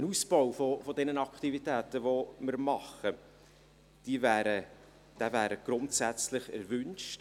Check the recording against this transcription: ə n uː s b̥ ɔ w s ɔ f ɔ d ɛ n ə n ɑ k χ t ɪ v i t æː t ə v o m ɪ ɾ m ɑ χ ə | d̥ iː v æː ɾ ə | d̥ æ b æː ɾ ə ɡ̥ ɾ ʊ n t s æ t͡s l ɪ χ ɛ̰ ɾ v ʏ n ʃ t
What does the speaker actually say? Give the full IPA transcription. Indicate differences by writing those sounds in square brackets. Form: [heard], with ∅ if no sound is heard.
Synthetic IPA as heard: ə n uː s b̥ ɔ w [f] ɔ f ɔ d ɛ n ə n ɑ k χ t [i] v i t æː t ə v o m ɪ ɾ m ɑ χ ə | d̥ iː v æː ɾ ə | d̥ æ [v] æː ɾ ə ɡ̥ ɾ ʊ n t s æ t͡s l ɪ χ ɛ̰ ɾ v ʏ n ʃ t

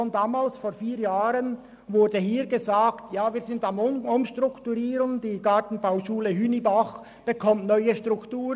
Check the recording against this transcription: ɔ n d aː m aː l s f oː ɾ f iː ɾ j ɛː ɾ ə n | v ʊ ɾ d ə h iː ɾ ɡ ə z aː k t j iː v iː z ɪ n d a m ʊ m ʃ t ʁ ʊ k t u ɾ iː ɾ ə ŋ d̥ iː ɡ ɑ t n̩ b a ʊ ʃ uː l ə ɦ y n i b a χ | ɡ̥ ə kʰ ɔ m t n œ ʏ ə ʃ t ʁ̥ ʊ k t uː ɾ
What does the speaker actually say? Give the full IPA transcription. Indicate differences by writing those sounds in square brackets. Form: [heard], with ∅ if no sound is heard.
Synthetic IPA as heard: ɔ n d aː m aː l s f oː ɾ f iː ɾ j [aː] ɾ ə n | v ʊ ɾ d ə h iː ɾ ɡ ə z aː k t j [aː] v iː z ɪ n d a m ʊ m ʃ t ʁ ʊ k t u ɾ iː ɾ ə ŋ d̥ iː ɡ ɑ t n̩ b a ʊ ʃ uː l ə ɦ y n i b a χ | [b̥] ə kʰ ɔ m t n œ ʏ ə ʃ t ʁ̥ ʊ k t uː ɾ

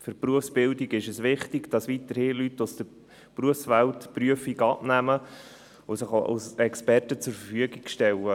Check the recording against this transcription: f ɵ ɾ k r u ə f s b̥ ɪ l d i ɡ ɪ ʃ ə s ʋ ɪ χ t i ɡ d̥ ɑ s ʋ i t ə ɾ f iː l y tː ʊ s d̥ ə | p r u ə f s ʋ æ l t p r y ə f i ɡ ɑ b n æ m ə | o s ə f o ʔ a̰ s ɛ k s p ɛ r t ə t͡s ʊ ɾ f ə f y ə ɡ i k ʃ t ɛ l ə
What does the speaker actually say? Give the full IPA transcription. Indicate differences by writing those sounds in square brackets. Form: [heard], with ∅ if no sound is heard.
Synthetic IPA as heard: f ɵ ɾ [p] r u ə f s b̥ ɪ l d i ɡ ɪ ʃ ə s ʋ ɪ χ t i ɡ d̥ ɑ s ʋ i t ə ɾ [h] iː l y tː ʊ s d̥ ə | p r u ə f s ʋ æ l t p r y ə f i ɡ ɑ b n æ m ə | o s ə [χ] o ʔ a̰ s ɛ k s p ɛ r t ə t͡s ʊ ɾ f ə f y ə ɡ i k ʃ t ɛ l ə

